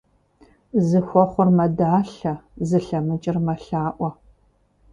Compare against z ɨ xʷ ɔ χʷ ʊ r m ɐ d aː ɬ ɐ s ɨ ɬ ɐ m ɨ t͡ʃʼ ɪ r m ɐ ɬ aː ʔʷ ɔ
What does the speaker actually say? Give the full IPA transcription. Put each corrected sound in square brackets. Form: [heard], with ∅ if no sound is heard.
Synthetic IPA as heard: z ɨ xʷ ɔ χʷ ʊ r m ɐ d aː ɬ ɐ [z] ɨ ɬ ɐ m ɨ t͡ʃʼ ɪ r m ɐ ɬ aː ʔʷ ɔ